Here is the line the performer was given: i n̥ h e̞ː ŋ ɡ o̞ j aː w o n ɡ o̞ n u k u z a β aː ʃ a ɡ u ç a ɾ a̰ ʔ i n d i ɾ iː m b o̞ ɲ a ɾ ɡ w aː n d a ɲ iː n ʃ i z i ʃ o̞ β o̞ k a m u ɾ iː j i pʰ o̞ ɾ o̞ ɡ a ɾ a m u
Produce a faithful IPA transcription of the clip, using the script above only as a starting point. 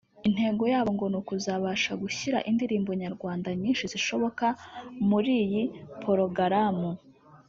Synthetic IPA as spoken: i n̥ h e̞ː ŋ ɡ o̞ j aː β o ŋ ɡ o̞ n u k u z a β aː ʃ a ɡ u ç i ɾ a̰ ʔ i n d i ɾ iː m b o̞ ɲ a ɾ ɡ w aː n d a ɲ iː n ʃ i z i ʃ o̞ β o̞ k a m u ɾ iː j i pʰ o̞ ɾ o̞ ɡ a ɾ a m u